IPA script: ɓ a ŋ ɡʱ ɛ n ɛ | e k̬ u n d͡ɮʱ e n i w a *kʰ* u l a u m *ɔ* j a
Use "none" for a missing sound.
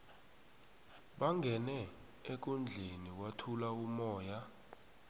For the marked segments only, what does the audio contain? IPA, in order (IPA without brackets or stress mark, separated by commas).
tʰ, ɔː